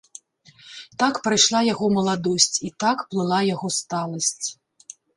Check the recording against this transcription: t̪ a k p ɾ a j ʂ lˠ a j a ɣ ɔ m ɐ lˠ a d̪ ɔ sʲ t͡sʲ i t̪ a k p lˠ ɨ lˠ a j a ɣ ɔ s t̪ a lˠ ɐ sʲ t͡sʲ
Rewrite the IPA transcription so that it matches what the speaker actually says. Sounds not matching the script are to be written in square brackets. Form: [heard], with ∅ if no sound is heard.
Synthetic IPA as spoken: t̪ a k p ɾ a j ʂ lˠ a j a ɣ ɔ m ɐ lˠ a d̪ ɔ sʲ t͡sʲ i t̪ a k p lˠ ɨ lˠ a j a ɣ ɔ s t̪ a lˠ ɐ sʲ t͡sʲ